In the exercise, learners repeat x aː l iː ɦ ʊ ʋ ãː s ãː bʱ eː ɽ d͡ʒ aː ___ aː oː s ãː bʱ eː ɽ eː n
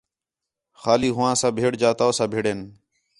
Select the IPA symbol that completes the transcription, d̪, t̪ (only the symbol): t̪